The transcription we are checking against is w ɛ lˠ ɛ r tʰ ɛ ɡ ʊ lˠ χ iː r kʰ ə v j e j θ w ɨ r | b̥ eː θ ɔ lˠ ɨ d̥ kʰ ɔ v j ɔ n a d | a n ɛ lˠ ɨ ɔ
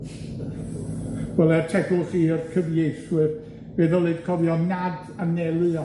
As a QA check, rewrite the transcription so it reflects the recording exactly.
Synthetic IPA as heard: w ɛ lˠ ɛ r tʰ ɛ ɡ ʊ lˠ χ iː r kʰ ə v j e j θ w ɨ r | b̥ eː ð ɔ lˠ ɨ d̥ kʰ ɔ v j ɔ n a d | a n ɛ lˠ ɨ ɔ